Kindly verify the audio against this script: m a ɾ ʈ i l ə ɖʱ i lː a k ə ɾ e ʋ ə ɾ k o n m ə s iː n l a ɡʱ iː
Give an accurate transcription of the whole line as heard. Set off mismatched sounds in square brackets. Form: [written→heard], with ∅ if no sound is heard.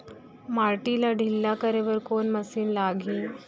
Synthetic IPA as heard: m a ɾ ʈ i l [ə→a] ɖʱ i lː a k ə ɾ e ʋ ə ɾ k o n m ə s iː n l a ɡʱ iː

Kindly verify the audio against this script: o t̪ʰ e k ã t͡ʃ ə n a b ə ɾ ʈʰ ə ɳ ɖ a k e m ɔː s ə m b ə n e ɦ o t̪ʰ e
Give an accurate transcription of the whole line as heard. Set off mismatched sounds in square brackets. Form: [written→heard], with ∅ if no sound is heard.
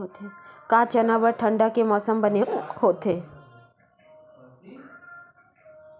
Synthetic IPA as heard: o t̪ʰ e k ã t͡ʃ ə n a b ə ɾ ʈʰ ə ɳ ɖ a k e m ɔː s ə m b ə n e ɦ o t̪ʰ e

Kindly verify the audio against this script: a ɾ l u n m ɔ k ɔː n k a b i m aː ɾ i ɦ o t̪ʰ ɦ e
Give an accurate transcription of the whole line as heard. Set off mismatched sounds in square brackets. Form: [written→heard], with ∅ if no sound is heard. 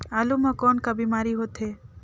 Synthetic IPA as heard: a [ɾ→∅] l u [n→∅] m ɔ k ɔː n k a b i m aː ɾ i ɦ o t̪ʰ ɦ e

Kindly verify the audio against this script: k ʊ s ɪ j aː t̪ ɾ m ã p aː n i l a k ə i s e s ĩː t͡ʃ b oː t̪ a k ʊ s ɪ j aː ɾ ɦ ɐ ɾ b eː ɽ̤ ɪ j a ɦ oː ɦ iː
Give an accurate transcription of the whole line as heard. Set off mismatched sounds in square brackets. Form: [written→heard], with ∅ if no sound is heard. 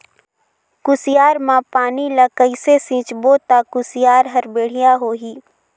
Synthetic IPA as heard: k ʊ s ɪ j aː [t̪→∅] ɾ m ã p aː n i l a k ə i s e s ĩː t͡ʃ b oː t̪ a k ʊ s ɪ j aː ɾ ɦ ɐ ɾ b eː ɽ̤ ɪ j a ɦ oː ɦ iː

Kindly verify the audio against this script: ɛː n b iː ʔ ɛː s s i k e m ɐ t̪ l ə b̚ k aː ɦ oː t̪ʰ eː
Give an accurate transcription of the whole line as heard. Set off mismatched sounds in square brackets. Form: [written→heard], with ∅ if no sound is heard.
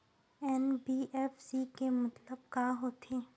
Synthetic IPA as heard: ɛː n b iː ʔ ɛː [s→f] s i k e m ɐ t̪ l ə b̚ k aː ɦ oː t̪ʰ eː

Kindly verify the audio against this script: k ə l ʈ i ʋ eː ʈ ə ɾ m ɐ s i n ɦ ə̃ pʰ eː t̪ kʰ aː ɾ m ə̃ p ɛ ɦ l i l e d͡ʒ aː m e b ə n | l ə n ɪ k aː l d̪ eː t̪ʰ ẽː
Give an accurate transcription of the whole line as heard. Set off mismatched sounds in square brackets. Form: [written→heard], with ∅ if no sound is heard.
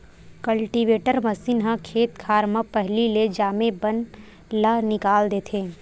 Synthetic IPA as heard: k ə l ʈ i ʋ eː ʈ ə ɾ m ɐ s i n ɦ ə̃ [pʰ→kʰ] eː t̪ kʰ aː ɾ m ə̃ p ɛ ɦ l i l e d͡ʒ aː m e b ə n | l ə n ɪ k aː l d̪ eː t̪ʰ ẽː

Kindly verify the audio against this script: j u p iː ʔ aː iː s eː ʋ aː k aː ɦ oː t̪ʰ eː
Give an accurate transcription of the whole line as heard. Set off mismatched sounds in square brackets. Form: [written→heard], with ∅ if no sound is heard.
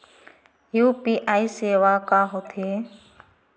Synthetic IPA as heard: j [u→uː] p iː ʔ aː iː s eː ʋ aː k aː ɦ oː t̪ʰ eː

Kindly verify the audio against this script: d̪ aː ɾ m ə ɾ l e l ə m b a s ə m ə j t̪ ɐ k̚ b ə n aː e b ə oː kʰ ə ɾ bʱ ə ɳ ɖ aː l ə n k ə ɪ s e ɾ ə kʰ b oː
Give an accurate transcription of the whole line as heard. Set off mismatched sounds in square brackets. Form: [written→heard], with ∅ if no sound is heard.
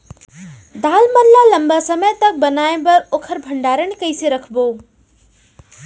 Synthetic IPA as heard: d̪ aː [ɾ→l] m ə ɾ l [e→a] l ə m b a s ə m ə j t̪ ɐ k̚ b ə n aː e b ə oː kʰ ə ɾ bʱ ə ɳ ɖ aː [l→ɾ] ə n k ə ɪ s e ɾ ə kʰ b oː

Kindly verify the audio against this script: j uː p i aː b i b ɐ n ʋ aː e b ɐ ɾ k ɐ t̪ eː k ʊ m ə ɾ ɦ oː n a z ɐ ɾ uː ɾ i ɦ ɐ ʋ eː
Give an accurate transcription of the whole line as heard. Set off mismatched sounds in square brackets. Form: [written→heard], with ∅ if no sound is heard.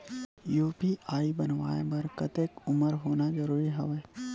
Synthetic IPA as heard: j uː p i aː [b→∅] i b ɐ n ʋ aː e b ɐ ɾ k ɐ t̪ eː k ʊ m ə ɾ ɦ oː n a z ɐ ɾ uː ɾ i ɦ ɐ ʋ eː

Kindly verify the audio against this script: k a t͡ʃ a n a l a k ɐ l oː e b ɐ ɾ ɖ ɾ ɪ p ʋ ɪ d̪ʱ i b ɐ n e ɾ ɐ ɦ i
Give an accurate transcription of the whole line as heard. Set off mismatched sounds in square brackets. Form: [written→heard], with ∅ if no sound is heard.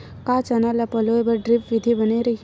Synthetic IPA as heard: k a t͡ʃ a n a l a [k→p] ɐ l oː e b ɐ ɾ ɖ ɾ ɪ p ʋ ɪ d̪ʱ i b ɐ n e ɾ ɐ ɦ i

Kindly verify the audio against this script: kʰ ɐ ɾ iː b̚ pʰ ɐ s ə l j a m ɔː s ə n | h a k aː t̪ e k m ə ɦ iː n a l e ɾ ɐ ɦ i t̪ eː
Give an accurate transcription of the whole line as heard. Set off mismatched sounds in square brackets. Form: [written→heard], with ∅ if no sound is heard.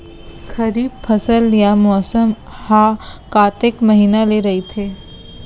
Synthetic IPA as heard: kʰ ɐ ɾ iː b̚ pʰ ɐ s ə l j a m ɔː s ə [n→m] | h a k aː t̪ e k m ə ɦ iː n a l e ɾ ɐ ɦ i [t̪→t̪ʰ] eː

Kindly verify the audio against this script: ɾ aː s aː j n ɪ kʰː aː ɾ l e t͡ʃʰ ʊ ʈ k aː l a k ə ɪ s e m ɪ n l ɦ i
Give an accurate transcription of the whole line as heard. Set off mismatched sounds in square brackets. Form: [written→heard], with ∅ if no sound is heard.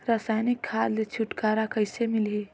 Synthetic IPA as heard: ɾ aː s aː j n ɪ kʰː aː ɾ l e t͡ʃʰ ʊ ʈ k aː [l→ɾ] a k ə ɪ s e m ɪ [n→∅] l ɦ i

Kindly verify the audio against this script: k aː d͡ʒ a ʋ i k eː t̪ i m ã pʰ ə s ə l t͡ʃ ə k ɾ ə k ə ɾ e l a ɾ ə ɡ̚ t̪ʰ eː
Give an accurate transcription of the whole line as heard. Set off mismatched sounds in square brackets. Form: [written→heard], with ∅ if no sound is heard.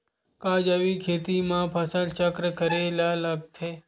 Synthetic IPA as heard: k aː d͡ʒ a ʋ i [k→kʰ] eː t̪ i m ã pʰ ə s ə l t͡ʃ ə k ɾ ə k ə ɾ e l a [ɾ→l] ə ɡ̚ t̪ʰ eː

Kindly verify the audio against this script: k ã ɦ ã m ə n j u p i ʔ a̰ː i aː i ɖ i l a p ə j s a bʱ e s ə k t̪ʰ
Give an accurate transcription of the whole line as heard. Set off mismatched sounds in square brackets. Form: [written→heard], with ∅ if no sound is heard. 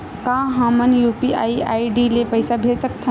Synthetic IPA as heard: k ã ɦ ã m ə n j u p i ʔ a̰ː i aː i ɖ i l [a→e] p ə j s a bʱ e s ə k t̪ʰ

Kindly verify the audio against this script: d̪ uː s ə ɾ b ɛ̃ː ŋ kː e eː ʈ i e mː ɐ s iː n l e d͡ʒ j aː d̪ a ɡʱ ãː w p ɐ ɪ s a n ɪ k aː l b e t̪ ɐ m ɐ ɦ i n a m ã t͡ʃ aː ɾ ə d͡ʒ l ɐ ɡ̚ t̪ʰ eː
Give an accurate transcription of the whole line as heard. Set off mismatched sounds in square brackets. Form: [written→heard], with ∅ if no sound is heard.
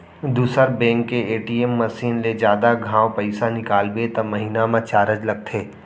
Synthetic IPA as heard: d̪ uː s ə ɾ b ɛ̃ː ŋ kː e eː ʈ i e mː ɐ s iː n l e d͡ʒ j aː d̪ a ɡʱ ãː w p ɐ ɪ s a n ɪ k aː l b e t̪ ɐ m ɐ ɦ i n a m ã t͡ʃ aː ɾ ə d͡ʒ l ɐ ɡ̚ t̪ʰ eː

